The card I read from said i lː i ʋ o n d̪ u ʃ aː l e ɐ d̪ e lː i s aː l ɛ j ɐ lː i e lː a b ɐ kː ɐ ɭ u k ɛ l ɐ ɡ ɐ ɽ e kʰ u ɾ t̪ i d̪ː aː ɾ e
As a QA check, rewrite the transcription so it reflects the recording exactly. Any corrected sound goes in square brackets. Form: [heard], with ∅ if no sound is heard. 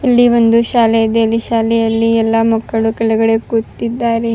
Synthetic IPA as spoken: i lː i ʋ o n d̪ u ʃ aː l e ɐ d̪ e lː i [ʃ] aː l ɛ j ɐ lː i [ɛ] lː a [m] ɐ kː ɐ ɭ u k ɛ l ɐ ɡ ɐ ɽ e [k] u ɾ t̪ i d̪ː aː ɾ e